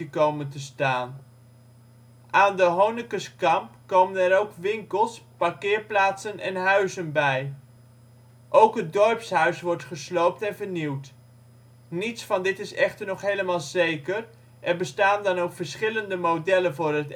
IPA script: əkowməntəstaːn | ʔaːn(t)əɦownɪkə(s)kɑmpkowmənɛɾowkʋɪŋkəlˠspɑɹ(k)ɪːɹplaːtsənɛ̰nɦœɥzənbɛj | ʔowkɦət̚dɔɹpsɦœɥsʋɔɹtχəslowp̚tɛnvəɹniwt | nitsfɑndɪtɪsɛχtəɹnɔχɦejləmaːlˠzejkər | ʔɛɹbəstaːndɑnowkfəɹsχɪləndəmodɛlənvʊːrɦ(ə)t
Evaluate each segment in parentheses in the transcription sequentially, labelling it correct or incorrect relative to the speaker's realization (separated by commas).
incorrect, correct, correct, correct